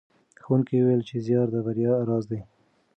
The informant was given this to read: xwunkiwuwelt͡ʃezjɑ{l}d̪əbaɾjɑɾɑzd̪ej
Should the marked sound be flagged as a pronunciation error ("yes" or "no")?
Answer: yes